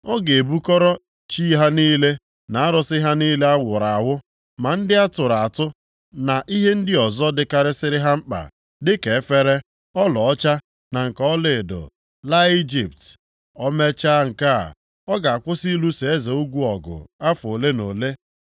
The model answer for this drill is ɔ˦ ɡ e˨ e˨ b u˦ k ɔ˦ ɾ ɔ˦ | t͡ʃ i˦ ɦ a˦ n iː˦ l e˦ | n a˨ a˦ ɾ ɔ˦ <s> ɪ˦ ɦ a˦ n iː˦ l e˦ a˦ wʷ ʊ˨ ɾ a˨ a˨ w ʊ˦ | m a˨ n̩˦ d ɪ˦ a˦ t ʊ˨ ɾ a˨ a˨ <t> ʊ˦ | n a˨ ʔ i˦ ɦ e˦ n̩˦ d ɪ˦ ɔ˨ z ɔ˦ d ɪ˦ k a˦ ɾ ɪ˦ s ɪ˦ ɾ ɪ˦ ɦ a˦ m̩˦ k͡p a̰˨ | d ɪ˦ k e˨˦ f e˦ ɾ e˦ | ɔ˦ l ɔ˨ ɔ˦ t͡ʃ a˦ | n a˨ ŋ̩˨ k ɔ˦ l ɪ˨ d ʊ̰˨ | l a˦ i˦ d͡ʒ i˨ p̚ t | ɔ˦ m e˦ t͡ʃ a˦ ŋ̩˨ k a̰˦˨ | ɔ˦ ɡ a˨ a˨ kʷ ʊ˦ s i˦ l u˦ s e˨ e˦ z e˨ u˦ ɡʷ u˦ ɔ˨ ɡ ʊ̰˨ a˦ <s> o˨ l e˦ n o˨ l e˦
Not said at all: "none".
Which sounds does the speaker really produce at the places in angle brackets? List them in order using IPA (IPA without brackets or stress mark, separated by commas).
s, t, f